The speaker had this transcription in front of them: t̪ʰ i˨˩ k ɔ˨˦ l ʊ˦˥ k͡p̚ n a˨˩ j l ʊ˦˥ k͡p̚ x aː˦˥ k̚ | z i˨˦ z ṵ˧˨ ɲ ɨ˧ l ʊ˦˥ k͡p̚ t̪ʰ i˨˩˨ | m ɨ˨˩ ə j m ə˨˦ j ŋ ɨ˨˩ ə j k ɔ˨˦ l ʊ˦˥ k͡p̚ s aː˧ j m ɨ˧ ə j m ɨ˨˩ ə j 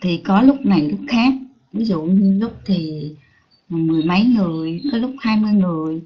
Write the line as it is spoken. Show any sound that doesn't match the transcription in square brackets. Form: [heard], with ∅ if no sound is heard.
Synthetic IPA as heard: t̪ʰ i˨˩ k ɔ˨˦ l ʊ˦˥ k͡p̚ n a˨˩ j l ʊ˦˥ k͡p̚ x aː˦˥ k̚ | [v] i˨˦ z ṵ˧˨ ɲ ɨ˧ l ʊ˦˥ k͡p̚ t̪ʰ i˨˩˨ | m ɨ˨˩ ə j m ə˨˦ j ŋ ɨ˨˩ ə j k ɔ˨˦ l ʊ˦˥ k͡p̚ [h] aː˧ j m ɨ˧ ə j [ŋ] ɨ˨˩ ə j

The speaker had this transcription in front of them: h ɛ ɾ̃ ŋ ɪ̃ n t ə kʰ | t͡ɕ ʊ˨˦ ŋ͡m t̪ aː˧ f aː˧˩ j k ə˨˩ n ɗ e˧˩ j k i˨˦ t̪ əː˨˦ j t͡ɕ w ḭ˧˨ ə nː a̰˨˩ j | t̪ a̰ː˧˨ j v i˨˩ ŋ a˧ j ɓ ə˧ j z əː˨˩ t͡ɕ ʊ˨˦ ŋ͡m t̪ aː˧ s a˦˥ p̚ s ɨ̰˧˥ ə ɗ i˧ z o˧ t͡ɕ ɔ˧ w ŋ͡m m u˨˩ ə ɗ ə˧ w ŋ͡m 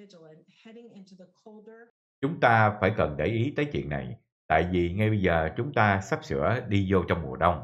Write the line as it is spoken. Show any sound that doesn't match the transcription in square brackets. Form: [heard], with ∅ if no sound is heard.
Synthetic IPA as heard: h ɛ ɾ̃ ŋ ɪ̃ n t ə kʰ | t͡ɕ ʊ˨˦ ŋ͡m t̪ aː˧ f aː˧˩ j k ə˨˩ n ɗ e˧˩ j [ʔ] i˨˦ t̪ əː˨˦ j t͡ɕ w ḭ˧˨ ə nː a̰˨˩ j | t̪ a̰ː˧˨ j v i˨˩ ŋ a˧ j ɓ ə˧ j z əː˨˩ t͡ɕ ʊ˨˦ ŋ͡m t̪ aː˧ s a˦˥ p̚ s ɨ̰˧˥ ə ɗ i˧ z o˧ t͡ɕ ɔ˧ w ŋ͡m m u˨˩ ə ɗ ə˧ w ŋ͡m

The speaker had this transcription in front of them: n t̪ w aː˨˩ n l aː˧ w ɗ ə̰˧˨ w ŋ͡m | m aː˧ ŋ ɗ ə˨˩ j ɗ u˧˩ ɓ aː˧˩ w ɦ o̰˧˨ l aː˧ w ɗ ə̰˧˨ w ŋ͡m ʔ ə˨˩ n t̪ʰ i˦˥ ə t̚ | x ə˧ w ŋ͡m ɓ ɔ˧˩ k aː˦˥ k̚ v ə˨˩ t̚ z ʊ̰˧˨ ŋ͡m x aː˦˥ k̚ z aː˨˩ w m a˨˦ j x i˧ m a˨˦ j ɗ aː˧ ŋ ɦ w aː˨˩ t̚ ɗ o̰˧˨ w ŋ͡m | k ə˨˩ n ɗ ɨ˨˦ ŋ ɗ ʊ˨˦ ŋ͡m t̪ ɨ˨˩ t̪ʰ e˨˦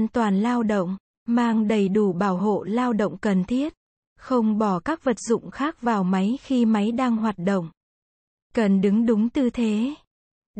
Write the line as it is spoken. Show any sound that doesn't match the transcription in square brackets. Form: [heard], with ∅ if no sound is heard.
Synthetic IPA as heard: n t̪ w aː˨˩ n l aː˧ w ɗ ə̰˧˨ w ŋ͡m | m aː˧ ŋ ɗ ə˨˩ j ɗ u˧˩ ɓ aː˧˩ w ɦ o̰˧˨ l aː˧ w ɗ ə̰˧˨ w ŋ͡m [k] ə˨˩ n t̪ʰ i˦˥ ə t̚ | x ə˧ w ŋ͡m ɓ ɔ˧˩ k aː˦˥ k̚ v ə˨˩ t̚ z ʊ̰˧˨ ŋ͡m x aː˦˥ k̚ [v] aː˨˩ w m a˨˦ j x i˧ m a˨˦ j ɗ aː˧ ŋ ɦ w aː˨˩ t̚ ɗ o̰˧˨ w ŋ͡m | k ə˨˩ n ɗ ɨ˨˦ ŋ ɗ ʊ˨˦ ŋ͡m t̪ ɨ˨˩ t̪ʰ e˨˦

